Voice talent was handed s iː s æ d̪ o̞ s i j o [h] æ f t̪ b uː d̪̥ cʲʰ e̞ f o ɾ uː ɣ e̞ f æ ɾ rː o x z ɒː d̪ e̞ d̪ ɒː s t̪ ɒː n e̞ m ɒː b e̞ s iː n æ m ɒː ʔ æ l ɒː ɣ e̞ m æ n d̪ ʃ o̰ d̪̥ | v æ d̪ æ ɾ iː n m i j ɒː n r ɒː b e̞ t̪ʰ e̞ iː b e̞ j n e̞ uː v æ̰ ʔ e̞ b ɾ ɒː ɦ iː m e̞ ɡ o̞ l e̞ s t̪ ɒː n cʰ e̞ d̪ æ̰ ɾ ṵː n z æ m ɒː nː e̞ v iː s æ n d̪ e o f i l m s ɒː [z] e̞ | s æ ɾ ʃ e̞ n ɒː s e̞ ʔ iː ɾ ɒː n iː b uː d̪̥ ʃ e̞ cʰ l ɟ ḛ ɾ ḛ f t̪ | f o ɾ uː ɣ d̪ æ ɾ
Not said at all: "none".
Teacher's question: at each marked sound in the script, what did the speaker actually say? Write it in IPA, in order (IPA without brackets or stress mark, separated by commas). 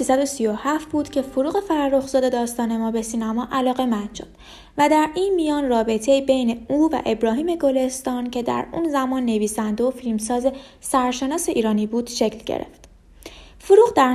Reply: h, z